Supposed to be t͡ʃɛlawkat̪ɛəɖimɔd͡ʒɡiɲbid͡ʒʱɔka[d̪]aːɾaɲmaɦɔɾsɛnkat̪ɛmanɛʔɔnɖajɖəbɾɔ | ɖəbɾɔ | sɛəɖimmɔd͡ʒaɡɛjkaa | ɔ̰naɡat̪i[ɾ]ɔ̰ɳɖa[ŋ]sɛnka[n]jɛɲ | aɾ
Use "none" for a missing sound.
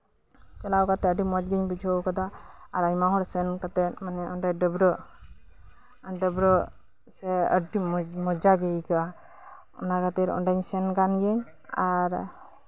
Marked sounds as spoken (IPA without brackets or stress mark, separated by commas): d̪, ɾ, ɲ, n